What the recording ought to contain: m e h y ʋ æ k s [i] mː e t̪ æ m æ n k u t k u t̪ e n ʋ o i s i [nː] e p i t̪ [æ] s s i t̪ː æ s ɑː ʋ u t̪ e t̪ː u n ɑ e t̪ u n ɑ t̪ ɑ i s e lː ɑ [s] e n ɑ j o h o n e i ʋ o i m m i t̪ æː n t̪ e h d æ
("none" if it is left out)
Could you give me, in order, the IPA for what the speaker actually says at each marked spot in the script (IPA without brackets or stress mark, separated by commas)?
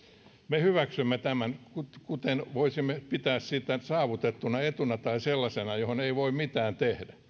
y, mː, æː, s